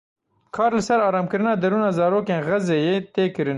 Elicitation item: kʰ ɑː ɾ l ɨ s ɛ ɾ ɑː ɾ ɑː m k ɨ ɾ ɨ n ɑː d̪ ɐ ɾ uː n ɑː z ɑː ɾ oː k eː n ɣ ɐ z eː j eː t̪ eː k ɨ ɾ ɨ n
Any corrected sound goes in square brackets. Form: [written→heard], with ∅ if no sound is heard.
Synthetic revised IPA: kʰ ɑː ɾ l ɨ s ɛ ɾ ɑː ɾ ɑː m k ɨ ɾ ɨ n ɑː d̪ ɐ ɾ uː n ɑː z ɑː ɾ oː k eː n ɣ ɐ z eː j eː t̪ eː k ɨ ɾ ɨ n